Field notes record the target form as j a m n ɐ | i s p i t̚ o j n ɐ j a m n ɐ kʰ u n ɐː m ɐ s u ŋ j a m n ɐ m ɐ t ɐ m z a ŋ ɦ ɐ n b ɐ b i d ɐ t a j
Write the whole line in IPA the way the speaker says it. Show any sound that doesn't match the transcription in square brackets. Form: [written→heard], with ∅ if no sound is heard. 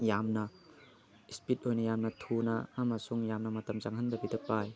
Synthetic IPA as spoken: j a m n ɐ | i s p i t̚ o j n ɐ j a m n ɐ [kʰ→tʰ] u n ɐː m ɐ s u ŋ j a m n ɐ m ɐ t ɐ m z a ŋ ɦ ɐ n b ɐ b i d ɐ [t→p] a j